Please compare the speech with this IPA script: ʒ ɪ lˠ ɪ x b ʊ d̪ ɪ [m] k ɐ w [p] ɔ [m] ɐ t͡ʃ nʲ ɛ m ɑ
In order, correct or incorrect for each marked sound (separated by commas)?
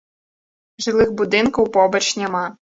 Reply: incorrect, correct, incorrect